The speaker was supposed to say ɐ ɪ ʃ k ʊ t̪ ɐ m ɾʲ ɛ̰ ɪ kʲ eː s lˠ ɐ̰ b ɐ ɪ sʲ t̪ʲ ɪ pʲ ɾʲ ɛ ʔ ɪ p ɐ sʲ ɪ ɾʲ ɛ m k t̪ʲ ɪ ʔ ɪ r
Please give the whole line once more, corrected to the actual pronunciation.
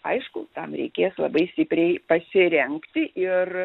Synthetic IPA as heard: ɐ ɪ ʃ k ʊ t̪ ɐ m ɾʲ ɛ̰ ɪ kʲ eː s lˠ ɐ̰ b ɐ ɪ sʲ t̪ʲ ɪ pʲ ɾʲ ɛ ɪ p ɐ sʲ ɪ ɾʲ ɛ ŋ k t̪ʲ ɪ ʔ ɪ r

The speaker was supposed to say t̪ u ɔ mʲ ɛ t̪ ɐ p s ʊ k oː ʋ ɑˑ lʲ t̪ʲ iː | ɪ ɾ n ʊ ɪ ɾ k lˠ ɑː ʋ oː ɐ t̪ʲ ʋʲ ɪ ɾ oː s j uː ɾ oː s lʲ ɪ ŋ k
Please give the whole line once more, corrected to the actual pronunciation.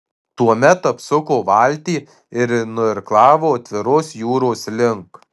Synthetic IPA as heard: t̪ u ɔ mʲ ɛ t̪ ɐ p s ʊ k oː ʋ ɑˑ lʲ t̪ʲ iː | ɪ ɾ n ʊ ɪ ɾ k lˠ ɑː ʋ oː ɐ t̪ʲ ʋʲ ɪ ɾ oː s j uː ɾ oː s lʲ ɪ ŋ k

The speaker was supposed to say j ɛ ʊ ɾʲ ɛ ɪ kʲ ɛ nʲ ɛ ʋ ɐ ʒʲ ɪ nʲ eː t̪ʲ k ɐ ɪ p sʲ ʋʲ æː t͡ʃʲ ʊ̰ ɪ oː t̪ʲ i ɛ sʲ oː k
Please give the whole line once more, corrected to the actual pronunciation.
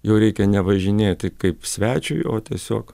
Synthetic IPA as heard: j ɛ ʊ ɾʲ ɛ ɪ kʲ ɛ nʲ ɛ ʋ ɐ ʒʲ ɪ nʲ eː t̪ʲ k ɐ ɪ p sʲ ʋʲ æː t͡ʃʲ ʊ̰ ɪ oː t̪ʲ i ɛ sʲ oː k

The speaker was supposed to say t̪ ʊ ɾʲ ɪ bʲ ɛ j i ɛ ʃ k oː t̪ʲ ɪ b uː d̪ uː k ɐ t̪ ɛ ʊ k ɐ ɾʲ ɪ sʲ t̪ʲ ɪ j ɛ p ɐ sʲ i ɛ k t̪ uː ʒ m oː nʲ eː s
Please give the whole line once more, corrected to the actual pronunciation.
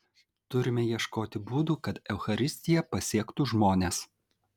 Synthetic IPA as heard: t̪ ʊ ɾʲ ɪ mʲ ɛ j i ɛ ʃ k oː t̪ʲ ɪ b uː d̪ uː k ɐ t̪ ɛ ʊ x ɐ ɾʲ ɪ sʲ t̪ʲ ɪ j ɛ p ɐ sʲ i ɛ k t̪ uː ʒ m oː nʲ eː s

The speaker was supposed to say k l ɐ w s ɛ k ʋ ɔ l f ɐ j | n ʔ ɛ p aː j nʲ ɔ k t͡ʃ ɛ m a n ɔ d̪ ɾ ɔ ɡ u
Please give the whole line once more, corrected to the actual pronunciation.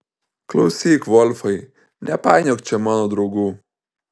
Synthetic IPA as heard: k l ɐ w s i k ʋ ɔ l f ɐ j | n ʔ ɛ p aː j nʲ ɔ k t͡ʃ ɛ m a n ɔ d̪ ɾ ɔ ɡ u

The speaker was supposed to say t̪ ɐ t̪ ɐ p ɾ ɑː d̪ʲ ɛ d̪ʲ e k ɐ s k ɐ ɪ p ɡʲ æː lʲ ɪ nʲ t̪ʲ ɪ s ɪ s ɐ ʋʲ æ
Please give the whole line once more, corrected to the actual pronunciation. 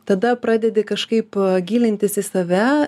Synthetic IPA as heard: t̪ ɐ d̪ ɐ p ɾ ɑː d̪ʲ ɛ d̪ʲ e k ɐ ʃ k ɐ ɪ p ɡʲ iː lʲ ɪ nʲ t̪ʲ ɪ s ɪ s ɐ ʋʲ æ

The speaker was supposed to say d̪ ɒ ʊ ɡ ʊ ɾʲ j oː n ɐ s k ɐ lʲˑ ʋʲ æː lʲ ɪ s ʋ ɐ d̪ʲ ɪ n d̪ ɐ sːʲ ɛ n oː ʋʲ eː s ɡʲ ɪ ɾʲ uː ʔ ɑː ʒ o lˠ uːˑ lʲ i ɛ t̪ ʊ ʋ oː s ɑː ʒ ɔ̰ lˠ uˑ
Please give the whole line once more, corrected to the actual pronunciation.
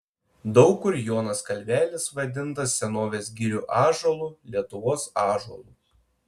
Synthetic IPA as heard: d̪ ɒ ʊ k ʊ ɾʲ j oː n ɐ s k ɐ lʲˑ ʋʲ æː lʲ ɪ s ʋ ɐ d̪ʲ ɪ n t̪ ɐ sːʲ ɛ n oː ʋʲ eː s ɡʲ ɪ ɾʲ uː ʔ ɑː ʒ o lˠ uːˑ lʲ i ɛ t̪ ʊ ʋ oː s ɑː ʒ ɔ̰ lˠ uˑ

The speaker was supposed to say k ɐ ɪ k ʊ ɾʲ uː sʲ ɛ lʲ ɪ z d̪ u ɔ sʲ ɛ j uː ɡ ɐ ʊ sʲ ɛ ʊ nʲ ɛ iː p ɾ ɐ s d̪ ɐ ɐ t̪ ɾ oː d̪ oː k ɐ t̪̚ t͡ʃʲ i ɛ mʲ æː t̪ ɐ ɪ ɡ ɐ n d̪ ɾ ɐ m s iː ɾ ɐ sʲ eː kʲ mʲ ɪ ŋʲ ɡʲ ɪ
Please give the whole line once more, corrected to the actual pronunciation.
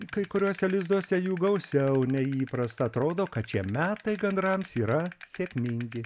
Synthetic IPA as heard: k ɐ ɪ k ʊ ɾʲ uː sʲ ɛ lʲ ɪ z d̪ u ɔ sʲ ɛ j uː ɡ ɐ ʊ sʲ ɛ ʊ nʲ ɛ iː p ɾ ɐ s t̪ ɐ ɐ t̪ ɾ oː d̪ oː k ɐ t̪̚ t͡ʃʲ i ɛ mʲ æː t̪ ɐ ɪ ɡ ɐ n d̪ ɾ ɐ m s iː ɾ ɐ sʲ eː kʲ mʲ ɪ ŋʲ ɡʲ ɪ

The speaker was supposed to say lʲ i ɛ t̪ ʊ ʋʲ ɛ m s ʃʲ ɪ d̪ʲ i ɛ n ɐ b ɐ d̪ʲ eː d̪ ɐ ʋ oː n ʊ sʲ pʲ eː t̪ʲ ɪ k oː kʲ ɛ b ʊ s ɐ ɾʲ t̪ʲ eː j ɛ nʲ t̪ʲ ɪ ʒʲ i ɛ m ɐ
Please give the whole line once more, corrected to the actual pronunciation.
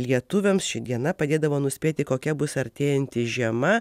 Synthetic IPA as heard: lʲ i ɛ t̪ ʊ ʋʲ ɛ m s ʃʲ ɪ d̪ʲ i ɛ n ɐ p ɐ d̪ʲ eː d̪ ɐ ʋ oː n ʊ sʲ pʲ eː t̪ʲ ɪ k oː kʲ ɛ b ʊ s ɐ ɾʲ t̪ʲ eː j ɛ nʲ t̪ʲ ɪ ʒʲ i ɛ m ɐ

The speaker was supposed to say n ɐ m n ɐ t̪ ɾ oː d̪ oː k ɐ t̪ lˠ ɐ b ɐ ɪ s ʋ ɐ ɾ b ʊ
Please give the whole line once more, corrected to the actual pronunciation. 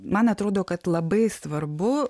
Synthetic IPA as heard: m ɐ n ɐ t̪ ɾ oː d̪ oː k ɐ t̪ lˠ ɐ b ɐ ɪ s ʋ ɐ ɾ b ʊ

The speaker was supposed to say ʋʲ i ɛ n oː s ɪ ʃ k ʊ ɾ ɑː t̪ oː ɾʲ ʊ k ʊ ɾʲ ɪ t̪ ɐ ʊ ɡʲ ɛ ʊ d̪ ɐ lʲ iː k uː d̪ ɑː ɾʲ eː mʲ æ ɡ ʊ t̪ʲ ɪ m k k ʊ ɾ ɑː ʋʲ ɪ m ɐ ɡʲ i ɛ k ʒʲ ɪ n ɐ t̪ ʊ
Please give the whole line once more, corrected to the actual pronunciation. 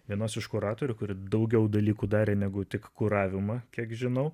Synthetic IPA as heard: ʋʲ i ɛ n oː s ɪ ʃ k ʊ ɾ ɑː t̪ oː ɾʲ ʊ k ʊ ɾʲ ɪ d̪ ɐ ʊ ɡʲ ɛ ʊ d̪ ɐ lʲ iː k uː d̪ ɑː ɾʲ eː nʲ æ ɡ ʊ t̪ʲ ɪ k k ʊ ɾ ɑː ʋʲ ɪ m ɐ kʲ i ɛ k ʒʲ ɪ n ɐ ʊ

